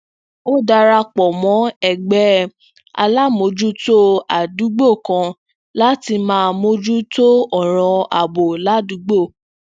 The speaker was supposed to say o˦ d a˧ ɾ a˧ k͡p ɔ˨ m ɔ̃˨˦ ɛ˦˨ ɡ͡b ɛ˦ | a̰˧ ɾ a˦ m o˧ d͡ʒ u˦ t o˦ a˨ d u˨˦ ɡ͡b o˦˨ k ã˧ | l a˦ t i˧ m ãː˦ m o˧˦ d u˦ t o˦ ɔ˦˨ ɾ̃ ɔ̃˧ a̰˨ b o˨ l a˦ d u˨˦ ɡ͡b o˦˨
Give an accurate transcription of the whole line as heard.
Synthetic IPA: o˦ d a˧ ɾ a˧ k͡p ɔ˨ m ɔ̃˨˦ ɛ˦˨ ɡ͡b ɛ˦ | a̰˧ l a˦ m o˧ d͡ʒ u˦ t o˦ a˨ d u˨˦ ɡ͡b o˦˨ k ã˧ | l a˦ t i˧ m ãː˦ m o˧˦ d͡ʒ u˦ t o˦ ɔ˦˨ ɾ̃ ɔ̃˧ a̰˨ b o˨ l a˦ d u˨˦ ɡ͡b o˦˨